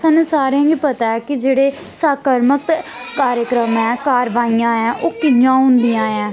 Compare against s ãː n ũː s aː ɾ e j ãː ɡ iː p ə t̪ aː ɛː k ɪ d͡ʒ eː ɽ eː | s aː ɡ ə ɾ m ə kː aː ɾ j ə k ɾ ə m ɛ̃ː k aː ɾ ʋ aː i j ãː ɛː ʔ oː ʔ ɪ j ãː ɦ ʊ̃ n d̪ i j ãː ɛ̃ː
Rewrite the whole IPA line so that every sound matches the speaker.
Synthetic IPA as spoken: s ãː n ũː s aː ɾ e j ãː ɡ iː p ə t̪ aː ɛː k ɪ d͡ʒ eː ɽ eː | s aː k ə ɾ m ə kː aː ɾ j ə k ɾ ə m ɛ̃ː k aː ɾ ʋ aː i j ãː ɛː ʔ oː k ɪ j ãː ɦ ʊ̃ n d̪ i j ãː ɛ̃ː